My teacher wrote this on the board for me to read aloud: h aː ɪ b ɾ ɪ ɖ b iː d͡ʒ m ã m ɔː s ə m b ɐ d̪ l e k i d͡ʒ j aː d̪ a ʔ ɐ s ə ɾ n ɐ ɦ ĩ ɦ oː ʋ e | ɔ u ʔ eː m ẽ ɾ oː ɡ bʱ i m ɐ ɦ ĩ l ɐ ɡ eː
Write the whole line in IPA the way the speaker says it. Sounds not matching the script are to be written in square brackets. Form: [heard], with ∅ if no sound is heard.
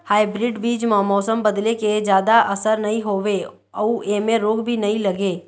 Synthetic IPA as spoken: h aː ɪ b ɾ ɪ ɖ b iː d͡ʒ m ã m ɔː s ə m b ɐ d̪ l e k [e] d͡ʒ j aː d̪ a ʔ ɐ s ə ɾ n ɐ ɦ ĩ ɦ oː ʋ e | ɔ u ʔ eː m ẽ ɾ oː ɡ bʱ i [n] ɐ ɦ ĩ l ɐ ɡ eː